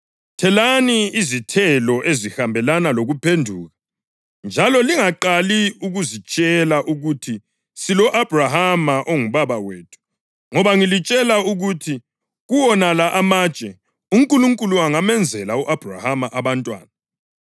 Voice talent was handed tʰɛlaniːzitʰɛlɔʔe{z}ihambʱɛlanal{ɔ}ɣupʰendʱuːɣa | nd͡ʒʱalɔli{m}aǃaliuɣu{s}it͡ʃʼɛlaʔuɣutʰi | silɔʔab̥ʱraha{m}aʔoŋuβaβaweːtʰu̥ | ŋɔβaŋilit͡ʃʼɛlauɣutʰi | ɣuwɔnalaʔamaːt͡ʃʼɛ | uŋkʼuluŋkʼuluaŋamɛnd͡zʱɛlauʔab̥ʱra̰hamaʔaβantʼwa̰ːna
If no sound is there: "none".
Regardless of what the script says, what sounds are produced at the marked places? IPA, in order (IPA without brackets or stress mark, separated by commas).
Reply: z, o, ŋ, z, m